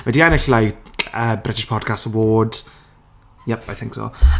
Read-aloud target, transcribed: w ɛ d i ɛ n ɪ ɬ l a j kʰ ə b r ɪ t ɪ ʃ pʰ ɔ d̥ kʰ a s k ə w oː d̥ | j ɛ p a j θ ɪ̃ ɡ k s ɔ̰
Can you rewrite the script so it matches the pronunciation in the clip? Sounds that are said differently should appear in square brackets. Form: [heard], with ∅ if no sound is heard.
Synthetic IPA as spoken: w ɛ d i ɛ n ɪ ɬ l a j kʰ ə b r ɪ t ɪ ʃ pʰ ɔ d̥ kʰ a s [t] ə w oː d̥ | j ɛ p a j θ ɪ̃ [ŋ] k s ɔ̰